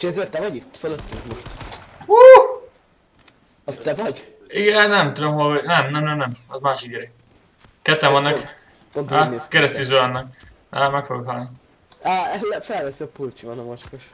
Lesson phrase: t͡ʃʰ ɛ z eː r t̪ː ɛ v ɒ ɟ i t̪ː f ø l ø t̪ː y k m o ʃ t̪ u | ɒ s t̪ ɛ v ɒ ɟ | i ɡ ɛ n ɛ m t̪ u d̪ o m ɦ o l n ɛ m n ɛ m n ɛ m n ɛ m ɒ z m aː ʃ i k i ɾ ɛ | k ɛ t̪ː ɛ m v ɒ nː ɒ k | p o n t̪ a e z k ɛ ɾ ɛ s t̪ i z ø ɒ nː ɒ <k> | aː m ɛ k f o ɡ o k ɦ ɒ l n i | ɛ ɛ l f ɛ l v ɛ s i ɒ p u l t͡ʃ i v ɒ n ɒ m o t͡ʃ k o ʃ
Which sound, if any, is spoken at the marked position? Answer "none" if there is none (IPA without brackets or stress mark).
k